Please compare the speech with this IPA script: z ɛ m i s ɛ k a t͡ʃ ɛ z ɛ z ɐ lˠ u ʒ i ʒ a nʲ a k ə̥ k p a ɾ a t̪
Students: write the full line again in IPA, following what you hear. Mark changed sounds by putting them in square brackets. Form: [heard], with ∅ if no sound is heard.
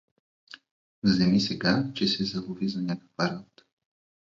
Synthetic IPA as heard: z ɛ m i s ɛ [ɡ] a t͡ʃ ɛ [s] ɛ z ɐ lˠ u [v] i [z] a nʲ a k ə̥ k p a ɾ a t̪